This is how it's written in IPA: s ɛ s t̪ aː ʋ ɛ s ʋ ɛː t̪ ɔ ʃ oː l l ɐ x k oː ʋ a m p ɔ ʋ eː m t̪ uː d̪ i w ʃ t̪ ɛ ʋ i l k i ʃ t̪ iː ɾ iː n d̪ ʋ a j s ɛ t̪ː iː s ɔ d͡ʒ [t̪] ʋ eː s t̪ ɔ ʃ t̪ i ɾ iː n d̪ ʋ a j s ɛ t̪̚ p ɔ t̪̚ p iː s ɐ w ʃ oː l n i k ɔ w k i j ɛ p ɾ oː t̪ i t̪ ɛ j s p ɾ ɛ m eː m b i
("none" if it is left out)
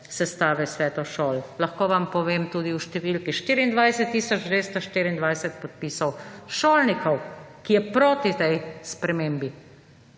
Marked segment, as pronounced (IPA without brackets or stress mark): d̪